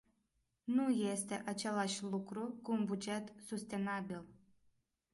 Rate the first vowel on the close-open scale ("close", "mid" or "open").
close